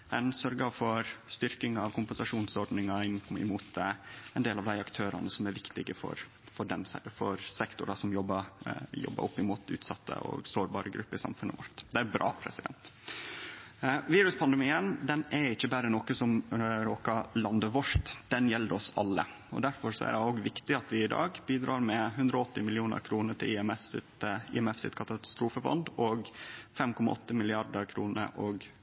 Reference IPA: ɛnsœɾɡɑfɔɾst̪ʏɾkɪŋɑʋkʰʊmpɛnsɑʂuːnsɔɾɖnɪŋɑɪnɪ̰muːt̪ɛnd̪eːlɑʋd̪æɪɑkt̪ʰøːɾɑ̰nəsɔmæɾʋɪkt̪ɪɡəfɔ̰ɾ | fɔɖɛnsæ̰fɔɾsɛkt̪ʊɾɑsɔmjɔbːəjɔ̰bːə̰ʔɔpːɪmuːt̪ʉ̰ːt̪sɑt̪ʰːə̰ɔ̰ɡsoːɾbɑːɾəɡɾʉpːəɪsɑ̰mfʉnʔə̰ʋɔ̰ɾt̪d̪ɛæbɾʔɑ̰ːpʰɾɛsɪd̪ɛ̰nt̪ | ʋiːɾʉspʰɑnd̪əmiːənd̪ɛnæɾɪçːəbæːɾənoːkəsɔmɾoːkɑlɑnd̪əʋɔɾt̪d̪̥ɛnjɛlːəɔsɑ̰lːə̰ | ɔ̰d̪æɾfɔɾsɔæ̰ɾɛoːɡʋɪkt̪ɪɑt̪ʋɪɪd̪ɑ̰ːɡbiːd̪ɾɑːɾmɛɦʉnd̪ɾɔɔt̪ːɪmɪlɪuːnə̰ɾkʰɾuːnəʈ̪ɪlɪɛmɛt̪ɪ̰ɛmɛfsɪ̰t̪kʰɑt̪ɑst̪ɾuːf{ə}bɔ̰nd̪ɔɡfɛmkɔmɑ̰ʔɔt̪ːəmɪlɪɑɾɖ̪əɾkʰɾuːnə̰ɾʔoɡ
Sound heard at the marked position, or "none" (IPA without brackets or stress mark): ə